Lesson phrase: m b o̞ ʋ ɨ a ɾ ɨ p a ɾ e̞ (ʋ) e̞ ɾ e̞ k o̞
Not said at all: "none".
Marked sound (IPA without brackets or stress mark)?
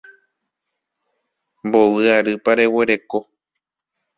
w